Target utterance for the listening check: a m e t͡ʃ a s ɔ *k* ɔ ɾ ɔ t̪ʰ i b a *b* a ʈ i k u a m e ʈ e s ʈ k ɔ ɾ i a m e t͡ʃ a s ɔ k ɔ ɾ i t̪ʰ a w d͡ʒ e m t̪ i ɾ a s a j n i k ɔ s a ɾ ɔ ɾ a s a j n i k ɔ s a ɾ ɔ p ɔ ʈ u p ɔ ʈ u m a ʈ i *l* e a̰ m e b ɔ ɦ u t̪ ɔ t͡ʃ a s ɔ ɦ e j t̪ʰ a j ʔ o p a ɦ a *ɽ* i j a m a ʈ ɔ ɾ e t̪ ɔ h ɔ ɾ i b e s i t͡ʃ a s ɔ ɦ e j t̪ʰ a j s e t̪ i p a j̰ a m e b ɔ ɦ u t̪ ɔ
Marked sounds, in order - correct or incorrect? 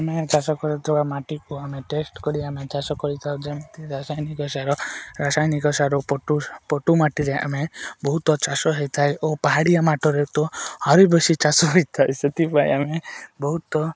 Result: correct, incorrect: m, incorrect: ɾ, correct

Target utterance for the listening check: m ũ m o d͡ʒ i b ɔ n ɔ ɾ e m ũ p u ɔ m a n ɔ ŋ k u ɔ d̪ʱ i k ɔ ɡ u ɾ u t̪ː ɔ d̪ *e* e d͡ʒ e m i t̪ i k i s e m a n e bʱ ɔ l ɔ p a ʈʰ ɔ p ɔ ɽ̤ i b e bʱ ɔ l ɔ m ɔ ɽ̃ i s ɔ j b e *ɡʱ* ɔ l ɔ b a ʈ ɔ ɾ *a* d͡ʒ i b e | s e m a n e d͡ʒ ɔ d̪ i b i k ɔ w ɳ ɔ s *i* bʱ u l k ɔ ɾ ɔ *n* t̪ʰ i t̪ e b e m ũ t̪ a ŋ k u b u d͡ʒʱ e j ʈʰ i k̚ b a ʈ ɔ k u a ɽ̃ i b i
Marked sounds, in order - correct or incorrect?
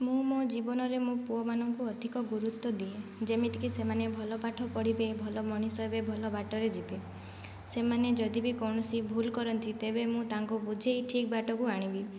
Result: incorrect: i, incorrect: bʱ, incorrect: e, correct, correct

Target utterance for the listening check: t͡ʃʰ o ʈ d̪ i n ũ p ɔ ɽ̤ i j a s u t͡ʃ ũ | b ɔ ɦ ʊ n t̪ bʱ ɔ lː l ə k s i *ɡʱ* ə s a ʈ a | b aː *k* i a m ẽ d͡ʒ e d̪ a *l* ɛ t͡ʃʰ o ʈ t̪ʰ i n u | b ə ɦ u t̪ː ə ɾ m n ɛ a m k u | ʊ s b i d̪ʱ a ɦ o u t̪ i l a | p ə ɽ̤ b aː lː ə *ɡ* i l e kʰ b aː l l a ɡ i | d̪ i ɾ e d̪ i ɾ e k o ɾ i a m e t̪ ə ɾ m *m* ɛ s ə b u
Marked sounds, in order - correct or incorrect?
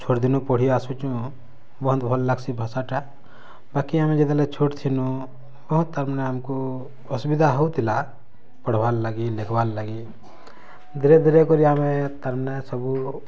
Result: incorrect: bʱ, correct, correct, correct, incorrect: n

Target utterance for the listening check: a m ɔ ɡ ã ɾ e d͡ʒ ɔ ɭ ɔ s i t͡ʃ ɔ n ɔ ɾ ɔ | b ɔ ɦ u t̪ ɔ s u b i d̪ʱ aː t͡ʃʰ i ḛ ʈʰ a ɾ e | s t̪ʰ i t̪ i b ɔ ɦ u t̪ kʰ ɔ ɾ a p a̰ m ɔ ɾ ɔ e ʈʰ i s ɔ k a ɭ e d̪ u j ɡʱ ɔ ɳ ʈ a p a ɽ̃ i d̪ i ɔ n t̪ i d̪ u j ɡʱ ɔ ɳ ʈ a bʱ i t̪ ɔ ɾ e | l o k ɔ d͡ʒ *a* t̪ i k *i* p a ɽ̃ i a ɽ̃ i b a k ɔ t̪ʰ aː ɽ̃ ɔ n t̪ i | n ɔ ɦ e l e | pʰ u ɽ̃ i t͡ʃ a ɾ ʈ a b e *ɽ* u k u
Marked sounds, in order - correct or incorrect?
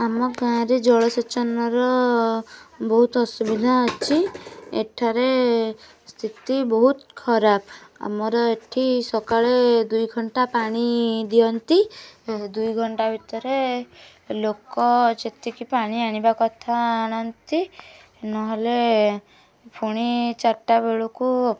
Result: incorrect: e, correct, incorrect: ɭ

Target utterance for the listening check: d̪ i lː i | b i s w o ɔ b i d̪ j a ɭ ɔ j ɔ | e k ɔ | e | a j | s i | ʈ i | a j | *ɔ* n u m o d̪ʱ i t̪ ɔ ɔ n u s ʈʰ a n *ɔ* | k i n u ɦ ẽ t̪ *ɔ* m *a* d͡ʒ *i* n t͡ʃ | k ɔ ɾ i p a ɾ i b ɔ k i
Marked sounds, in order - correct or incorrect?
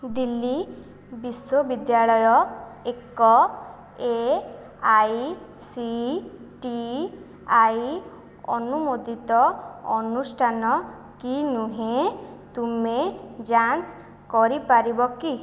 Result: correct, correct, incorrect: u, incorrect: e, incorrect: a

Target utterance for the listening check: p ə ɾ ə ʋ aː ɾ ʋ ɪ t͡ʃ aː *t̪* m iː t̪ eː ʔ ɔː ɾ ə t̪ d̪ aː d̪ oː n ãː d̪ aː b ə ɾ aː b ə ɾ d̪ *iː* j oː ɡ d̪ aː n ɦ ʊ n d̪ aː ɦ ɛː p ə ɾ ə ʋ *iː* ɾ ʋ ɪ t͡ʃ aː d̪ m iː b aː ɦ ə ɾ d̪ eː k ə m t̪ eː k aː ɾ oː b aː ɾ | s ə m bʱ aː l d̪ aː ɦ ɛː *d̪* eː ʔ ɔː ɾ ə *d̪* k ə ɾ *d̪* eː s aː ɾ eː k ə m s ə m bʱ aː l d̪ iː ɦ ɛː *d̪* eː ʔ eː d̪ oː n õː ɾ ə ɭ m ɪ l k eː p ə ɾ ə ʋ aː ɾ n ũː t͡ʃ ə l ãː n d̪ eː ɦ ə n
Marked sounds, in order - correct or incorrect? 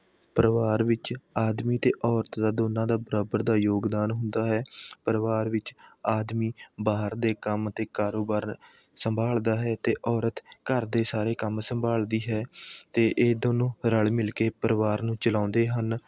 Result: incorrect: d̪, incorrect: aː, incorrect: aː, incorrect: t̪, incorrect: t̪, correct, incorrect: t̪

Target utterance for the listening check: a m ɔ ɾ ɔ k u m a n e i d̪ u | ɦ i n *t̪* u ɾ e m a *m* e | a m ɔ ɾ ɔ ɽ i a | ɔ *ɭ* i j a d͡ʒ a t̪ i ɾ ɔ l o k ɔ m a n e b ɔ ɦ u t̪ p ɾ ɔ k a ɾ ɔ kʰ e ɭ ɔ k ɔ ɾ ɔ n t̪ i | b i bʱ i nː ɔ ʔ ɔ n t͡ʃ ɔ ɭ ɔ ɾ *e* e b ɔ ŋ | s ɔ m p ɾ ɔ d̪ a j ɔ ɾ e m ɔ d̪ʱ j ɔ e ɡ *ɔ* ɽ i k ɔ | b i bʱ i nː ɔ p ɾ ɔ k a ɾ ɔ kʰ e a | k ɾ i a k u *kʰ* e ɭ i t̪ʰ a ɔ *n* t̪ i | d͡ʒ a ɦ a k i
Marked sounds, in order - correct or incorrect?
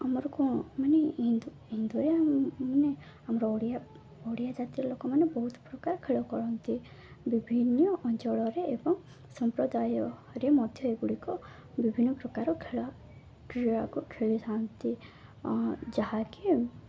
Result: incorrect: d̪, incorrect: n, incorrect: ɽ, correct, incorrect: u, correct, correct

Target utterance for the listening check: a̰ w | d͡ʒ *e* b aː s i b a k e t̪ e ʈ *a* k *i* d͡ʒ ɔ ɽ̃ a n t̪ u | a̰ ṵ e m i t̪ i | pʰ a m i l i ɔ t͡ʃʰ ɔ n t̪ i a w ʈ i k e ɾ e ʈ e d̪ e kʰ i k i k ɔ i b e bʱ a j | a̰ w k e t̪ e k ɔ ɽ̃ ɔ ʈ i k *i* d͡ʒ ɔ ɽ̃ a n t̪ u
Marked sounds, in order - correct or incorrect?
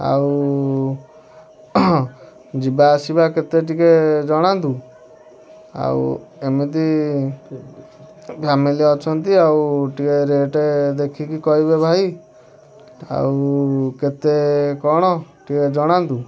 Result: incorrect: i, incorrect: i, incorrect: e, incorrect: e

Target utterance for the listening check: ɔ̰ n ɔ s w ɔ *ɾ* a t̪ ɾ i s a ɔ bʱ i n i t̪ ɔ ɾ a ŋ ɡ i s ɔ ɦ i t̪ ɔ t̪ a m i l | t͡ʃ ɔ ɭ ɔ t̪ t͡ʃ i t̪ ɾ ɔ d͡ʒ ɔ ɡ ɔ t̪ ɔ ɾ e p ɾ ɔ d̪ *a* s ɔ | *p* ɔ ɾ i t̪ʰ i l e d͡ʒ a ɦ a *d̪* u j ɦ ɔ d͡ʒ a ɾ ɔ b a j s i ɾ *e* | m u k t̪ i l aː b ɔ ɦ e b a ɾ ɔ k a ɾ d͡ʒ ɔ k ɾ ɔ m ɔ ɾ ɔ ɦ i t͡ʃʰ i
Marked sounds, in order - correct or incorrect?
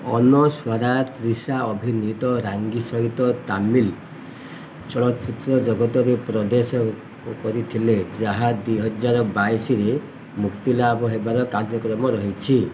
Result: correct, incorrect: e, incorrect: k, correct, correct

